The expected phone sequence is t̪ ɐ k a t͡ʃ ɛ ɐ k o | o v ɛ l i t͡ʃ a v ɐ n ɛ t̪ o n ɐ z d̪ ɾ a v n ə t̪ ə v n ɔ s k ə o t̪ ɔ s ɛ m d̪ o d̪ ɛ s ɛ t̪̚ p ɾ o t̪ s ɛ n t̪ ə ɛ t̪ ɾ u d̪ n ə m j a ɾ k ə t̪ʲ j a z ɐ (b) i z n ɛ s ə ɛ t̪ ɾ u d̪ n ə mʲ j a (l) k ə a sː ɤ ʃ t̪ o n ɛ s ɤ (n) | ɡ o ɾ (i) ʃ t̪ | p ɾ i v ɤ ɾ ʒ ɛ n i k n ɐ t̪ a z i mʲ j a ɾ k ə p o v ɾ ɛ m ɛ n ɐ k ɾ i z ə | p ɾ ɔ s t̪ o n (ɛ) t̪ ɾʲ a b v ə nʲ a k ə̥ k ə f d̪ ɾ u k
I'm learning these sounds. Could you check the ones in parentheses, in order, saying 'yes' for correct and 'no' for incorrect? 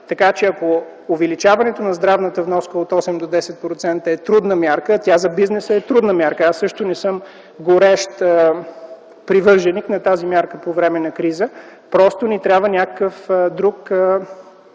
yes, no, no, no, no

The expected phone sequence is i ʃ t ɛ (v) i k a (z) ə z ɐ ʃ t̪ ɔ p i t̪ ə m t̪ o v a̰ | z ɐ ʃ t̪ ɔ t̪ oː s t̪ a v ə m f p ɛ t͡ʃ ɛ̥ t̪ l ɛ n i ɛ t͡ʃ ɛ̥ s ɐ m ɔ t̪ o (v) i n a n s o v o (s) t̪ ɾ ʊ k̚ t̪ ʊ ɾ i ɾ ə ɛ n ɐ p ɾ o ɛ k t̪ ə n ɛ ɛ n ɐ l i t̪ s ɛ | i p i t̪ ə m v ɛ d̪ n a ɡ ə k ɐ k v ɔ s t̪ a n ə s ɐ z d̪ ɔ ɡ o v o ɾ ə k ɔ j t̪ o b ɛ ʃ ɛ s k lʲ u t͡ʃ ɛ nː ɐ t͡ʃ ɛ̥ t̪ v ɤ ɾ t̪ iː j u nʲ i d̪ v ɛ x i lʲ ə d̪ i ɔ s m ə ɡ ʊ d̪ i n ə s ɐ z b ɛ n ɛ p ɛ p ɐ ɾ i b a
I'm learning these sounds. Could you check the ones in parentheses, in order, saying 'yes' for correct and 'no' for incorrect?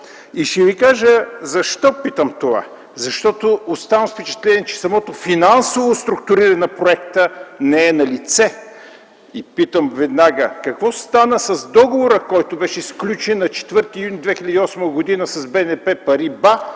yes, no, no, yes

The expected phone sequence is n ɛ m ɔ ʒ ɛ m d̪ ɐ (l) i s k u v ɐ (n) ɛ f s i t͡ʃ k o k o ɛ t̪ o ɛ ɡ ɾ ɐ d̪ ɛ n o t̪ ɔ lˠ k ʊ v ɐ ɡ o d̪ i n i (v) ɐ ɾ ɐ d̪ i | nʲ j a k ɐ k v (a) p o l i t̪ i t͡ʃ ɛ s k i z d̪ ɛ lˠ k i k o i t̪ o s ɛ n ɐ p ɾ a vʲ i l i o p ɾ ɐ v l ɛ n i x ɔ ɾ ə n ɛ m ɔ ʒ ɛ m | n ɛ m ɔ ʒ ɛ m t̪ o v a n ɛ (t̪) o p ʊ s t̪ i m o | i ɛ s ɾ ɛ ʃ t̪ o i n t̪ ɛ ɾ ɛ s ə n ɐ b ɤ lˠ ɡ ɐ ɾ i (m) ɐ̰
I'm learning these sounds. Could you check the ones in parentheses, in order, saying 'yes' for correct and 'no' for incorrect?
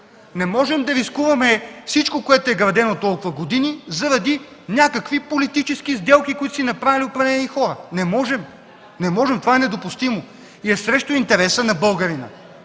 no, no, no, no, no, no

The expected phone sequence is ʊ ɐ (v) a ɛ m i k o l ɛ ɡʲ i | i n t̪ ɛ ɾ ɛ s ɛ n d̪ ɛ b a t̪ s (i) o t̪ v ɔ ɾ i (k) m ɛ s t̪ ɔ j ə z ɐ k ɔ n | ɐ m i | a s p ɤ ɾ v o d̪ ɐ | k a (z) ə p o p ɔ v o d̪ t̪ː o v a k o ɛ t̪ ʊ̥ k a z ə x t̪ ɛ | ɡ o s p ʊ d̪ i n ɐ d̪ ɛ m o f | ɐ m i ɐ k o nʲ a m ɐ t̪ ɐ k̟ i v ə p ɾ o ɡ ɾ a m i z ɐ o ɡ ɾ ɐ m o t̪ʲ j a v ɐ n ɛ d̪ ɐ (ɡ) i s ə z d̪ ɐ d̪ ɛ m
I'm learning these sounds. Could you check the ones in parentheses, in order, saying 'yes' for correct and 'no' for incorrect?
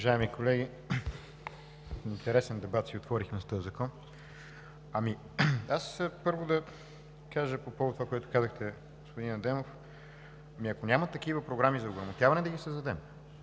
no, yes, no, no, yes

